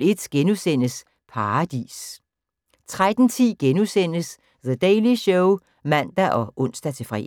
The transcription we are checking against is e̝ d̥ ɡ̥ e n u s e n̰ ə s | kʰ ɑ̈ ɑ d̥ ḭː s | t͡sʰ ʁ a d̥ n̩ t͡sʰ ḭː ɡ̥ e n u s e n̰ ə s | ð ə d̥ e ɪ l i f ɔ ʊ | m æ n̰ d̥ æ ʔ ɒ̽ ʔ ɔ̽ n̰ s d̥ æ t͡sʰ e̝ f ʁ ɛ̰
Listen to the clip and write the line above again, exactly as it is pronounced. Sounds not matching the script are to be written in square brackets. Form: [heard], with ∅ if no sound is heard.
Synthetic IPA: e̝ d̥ ɡ̥ e n u s e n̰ ə s | [pʰ] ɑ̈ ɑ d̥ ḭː s | t͡sʰ ʁ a d̥ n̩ t͡sʰ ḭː ɡ̥ e n u s e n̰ ə s | ð ə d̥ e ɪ l i [ɕ] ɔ ʊ | m æ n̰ d̥ æ ʔ ɒ̽ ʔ ɔ̽ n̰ s d̥ æ t͡sʰ e̝ f ʁ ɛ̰